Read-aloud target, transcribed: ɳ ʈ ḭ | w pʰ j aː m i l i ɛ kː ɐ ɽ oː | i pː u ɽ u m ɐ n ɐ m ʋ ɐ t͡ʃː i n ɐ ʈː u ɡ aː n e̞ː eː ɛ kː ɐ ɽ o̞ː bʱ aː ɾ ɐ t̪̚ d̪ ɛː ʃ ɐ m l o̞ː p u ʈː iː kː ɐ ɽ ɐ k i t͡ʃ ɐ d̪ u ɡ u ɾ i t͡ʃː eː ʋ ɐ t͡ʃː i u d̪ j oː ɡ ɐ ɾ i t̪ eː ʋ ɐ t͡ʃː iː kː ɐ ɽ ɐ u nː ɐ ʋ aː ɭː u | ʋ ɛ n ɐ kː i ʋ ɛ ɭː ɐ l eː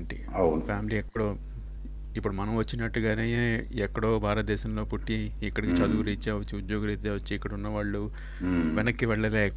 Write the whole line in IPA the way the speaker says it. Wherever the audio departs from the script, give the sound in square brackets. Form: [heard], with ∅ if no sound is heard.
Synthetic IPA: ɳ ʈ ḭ | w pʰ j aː m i l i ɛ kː ɐ ɽ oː | i pː u ɽ u m ɐ n ɐ m ʋ ɐ t͡ʃː i n ɐ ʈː u ɡ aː n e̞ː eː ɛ kː ɐ ɽ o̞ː bʱ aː ɾ ɐ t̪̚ d̪ ɛː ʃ ɐ m l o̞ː p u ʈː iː kː ɐ ɽ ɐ k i t͡ʃ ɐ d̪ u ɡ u ɾ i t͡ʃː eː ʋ ɐ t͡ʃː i u d̪ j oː ɡ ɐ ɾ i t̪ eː ʋ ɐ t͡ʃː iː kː ɐ ɽ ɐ u nː ɐ ʋ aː ɭː u | ʋ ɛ n ɐ kː i ʋ ɛ ɭː ɐ l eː